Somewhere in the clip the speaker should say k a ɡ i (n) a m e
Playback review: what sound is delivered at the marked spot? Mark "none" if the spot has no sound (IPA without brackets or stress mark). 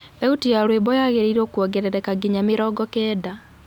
ɲ